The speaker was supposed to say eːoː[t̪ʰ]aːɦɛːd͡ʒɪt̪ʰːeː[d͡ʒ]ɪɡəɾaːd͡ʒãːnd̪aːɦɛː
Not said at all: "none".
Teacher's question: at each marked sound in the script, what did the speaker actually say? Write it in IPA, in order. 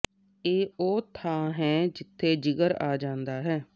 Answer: t̪ʰ, d͡ʒ

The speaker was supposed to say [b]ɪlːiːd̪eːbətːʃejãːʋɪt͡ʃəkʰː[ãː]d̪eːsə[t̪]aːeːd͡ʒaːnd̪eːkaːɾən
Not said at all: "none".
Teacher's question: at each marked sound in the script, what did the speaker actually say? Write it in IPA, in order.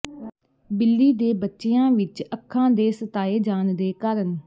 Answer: b, ãː, t̪

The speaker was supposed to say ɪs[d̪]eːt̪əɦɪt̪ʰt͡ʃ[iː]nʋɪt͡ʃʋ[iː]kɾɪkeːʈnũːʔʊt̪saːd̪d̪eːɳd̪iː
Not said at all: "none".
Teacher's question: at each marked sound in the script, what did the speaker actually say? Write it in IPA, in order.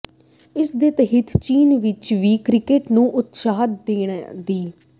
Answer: d̪, iː, iː

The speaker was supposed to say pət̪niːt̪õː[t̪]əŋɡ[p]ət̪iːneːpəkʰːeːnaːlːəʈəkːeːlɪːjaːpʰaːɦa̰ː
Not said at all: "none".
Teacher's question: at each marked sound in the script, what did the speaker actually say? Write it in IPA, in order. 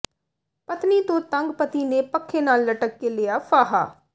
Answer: t̪, p

